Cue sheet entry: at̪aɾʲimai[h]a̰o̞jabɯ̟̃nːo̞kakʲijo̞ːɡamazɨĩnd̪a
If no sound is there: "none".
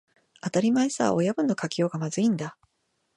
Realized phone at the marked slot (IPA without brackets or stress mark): s